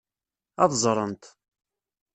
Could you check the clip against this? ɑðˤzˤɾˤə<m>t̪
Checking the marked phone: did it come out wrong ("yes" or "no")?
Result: yes